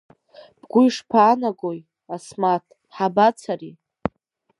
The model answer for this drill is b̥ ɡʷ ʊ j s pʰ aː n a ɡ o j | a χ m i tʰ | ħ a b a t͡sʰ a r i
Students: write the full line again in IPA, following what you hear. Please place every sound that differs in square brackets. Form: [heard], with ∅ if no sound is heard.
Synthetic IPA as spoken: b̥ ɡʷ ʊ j [ʂ] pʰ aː n a ɡ o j | a [s] m [a] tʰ | ħ a b a t͡sʰ a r i